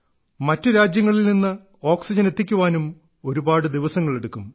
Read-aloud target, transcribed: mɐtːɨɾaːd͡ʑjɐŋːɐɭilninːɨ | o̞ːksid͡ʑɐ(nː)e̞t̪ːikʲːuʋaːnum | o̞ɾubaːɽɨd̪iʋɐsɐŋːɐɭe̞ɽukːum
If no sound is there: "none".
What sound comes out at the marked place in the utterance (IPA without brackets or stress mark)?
n